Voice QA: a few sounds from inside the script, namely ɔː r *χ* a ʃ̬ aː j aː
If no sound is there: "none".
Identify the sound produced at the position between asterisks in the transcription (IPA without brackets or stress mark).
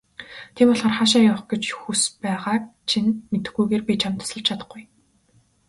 χ